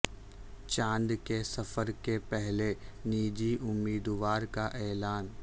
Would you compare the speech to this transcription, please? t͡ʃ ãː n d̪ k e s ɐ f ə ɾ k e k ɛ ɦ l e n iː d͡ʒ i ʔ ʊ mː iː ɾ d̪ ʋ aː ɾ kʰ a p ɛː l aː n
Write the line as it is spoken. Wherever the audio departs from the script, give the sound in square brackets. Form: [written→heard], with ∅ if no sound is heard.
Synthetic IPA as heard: t͡ʃ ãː n d̪ k e s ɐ f ə ɾ k e [k→p] ɛ ɦ l e n iː d͡ʒ i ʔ ʊ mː iː [ɾ→∅] d̪ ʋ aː ɾ [kʰ→k] a [p→ʔ] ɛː l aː n